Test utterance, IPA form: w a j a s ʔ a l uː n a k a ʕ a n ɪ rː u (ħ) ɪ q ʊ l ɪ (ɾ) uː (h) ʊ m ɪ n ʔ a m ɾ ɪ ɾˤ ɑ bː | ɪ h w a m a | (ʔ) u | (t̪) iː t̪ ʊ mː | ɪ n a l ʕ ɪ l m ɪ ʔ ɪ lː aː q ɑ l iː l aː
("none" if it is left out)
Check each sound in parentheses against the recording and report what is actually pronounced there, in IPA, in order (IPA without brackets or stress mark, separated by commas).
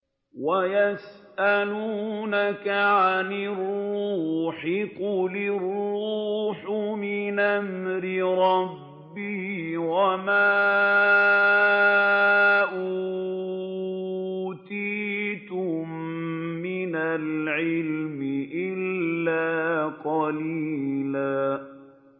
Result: ħ, r, ħ, ʔ, t̪